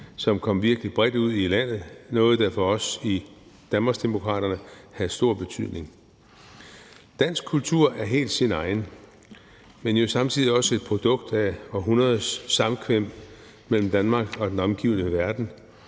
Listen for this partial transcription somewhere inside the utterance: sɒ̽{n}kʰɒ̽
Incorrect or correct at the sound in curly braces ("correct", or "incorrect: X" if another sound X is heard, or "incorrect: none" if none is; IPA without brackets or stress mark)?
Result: incorrect: m